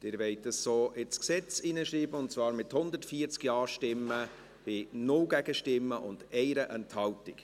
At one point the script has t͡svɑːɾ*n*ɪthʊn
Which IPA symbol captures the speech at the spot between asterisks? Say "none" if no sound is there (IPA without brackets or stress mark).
m